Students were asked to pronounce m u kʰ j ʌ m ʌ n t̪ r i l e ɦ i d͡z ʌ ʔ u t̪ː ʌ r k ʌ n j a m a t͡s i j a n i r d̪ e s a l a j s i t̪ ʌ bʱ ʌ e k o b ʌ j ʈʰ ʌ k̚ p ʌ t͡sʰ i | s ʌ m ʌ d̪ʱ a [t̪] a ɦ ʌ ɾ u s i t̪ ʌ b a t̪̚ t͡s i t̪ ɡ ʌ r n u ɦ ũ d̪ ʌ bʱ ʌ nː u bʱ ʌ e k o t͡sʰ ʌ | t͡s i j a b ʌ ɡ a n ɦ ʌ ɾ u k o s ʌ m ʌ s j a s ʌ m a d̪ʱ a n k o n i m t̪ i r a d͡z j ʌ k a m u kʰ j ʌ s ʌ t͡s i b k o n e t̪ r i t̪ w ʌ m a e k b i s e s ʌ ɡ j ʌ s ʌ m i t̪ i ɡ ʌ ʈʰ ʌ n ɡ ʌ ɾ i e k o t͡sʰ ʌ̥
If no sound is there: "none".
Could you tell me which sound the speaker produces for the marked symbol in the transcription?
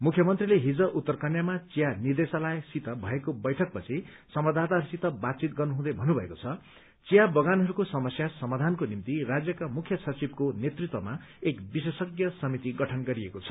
t̪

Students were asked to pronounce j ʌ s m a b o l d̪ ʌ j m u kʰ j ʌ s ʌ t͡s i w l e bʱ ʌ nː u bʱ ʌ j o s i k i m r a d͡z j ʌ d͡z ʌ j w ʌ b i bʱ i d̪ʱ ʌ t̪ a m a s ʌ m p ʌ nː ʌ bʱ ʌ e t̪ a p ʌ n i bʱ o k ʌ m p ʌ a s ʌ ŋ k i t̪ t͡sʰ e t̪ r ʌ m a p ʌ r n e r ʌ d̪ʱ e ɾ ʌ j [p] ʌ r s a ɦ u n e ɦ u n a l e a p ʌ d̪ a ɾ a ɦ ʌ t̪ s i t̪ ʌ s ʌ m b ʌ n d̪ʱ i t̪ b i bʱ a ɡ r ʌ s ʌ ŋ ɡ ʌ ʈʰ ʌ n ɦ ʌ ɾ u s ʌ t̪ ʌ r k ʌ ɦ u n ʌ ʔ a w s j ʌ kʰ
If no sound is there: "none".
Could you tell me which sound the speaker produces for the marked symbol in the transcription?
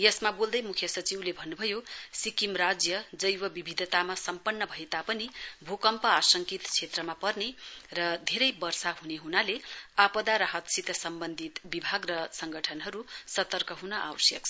b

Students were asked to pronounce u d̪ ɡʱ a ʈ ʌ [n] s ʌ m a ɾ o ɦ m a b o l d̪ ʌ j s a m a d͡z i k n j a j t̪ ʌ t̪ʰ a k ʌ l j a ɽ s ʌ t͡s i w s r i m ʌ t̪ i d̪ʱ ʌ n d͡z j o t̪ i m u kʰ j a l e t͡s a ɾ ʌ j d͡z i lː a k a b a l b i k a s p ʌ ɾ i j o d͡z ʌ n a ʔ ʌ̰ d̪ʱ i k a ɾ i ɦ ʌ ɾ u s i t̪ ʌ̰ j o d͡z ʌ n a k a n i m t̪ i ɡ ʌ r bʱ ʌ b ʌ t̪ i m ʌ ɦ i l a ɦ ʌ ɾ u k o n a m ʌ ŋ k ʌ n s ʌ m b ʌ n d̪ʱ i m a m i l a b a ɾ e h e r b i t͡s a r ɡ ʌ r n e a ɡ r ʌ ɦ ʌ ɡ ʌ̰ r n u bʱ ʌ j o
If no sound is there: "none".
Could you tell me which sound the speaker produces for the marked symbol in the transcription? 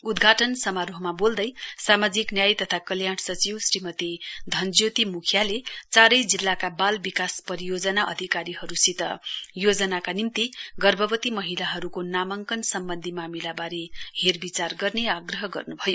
n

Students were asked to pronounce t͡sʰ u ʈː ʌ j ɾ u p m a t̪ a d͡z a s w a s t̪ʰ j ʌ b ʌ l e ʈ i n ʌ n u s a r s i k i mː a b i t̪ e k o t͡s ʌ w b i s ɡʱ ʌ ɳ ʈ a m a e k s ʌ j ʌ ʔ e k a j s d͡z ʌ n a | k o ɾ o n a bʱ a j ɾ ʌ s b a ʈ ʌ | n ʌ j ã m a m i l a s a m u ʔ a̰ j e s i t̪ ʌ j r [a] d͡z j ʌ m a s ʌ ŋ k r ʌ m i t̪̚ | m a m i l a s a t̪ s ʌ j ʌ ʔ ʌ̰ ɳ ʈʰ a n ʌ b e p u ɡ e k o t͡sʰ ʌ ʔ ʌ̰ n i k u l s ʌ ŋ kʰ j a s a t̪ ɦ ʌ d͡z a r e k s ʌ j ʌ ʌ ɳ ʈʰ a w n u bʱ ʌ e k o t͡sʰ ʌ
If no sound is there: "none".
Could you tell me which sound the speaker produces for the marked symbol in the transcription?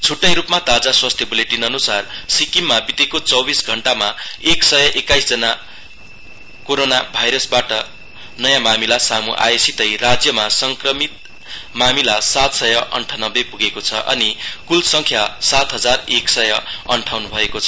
a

